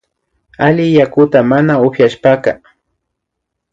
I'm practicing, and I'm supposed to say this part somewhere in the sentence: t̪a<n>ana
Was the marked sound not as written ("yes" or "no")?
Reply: yes